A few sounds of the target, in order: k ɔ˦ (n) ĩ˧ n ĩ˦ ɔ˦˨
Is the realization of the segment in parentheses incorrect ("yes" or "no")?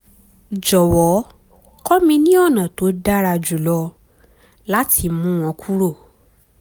yes